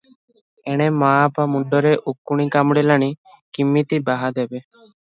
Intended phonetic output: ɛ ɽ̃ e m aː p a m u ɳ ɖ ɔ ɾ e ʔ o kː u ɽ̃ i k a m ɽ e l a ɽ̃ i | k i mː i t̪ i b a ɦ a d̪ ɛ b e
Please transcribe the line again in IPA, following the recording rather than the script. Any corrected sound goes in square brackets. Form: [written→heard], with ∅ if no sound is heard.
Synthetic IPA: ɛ ɽ̃ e m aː p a m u ɳ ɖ ɔ ɾ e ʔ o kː u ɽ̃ i k a m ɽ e l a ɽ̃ i | k i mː i t̪ i b a ɦ a d̪ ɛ b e